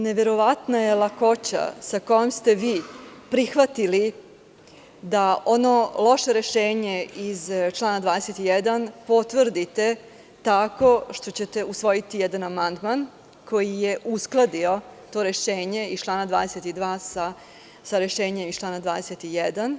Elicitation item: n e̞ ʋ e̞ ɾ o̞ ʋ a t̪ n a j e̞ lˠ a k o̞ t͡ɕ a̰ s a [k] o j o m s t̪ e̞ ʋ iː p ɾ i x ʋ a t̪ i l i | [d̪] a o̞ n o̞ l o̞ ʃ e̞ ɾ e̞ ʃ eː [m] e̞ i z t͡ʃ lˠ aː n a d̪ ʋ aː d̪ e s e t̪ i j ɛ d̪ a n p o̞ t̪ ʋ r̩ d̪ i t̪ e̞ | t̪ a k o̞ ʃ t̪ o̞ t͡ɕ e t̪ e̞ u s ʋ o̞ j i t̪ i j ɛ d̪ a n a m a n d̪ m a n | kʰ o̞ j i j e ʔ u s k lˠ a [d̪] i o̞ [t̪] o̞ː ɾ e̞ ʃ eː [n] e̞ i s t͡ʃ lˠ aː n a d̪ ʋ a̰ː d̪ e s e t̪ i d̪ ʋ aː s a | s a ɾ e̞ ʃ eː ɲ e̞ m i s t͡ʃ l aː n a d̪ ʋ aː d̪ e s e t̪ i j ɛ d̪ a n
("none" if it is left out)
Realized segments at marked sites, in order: k, d̪, ɲ, d̪, t̪, ɲ

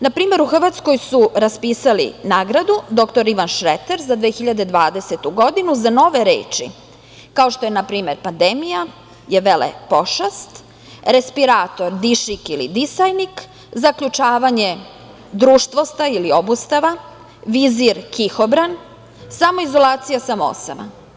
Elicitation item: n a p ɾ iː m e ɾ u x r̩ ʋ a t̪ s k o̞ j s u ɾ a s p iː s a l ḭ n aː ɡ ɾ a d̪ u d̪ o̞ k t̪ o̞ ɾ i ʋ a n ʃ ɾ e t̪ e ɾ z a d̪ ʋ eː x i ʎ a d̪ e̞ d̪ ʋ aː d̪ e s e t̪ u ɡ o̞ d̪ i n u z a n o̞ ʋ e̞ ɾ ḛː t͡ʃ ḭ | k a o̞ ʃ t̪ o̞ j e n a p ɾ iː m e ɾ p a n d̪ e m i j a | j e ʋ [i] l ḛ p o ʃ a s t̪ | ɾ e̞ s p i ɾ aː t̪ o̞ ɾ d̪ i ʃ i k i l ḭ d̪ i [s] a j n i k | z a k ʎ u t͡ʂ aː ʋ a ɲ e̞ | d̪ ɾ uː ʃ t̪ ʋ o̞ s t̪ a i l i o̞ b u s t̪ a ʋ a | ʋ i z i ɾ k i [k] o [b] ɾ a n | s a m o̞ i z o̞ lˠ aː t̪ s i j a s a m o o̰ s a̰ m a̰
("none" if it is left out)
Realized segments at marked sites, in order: e, s, x, b

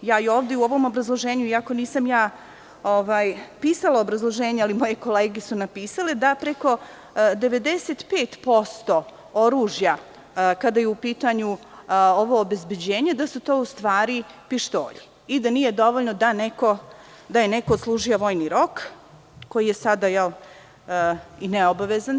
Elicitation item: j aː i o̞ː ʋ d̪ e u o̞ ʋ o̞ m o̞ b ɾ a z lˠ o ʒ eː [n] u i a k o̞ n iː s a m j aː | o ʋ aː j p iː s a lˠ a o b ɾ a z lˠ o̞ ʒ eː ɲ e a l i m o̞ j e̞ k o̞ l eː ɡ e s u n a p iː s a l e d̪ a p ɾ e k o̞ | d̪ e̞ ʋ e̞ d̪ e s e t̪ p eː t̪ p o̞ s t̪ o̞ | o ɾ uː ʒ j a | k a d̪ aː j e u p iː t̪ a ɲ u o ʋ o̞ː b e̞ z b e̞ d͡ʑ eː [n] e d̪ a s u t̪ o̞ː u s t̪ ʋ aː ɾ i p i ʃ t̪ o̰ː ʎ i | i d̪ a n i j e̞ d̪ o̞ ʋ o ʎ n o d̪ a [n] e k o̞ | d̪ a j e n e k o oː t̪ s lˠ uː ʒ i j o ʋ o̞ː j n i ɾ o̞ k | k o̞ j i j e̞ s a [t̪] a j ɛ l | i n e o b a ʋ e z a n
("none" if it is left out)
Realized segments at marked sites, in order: ɲ, ɲ, n, d̪

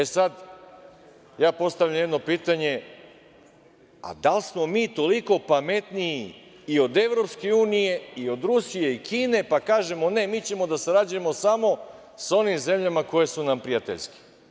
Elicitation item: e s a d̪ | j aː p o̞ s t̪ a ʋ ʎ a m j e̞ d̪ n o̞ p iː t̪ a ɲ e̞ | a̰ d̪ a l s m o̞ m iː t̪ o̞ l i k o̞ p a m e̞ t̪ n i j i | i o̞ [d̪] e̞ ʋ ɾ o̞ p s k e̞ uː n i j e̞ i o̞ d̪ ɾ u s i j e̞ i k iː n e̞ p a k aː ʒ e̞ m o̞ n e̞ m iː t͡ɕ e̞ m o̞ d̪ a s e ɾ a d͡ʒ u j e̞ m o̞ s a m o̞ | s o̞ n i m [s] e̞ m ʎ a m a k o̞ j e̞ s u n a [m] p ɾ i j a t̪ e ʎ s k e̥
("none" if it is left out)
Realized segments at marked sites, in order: d̪, z, m

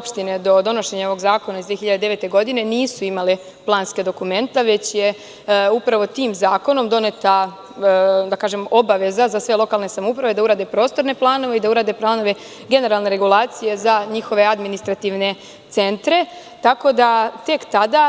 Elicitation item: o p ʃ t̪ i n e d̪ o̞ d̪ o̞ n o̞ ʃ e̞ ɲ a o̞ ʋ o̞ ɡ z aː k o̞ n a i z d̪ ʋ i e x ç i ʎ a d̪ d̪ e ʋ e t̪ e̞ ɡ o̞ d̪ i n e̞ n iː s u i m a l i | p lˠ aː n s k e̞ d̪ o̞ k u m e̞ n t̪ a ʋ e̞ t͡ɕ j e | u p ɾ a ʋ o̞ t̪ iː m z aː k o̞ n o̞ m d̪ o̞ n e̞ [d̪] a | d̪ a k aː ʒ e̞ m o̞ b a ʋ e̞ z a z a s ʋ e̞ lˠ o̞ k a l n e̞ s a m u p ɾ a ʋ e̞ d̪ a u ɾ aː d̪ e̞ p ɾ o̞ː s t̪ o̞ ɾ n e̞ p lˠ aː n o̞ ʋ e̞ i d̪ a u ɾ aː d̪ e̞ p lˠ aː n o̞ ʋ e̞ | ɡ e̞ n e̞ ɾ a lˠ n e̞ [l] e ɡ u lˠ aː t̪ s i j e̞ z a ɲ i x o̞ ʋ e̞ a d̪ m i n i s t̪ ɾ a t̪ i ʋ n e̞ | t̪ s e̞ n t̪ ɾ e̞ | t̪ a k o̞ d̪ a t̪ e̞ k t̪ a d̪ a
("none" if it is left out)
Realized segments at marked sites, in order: t̪, ɾ

